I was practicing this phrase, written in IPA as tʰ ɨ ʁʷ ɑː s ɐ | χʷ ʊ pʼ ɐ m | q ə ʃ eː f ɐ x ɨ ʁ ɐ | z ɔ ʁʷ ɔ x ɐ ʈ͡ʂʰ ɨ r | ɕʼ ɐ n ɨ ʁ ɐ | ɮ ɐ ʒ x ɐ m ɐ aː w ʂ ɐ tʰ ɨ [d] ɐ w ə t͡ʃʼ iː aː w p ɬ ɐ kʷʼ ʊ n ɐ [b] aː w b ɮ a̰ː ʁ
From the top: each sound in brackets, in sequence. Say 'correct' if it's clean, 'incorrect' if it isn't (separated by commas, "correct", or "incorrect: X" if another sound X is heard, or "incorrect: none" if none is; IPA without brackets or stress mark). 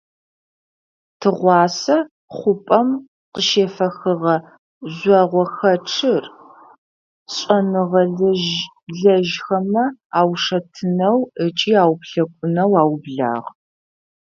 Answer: incorrect: n, incorrect: w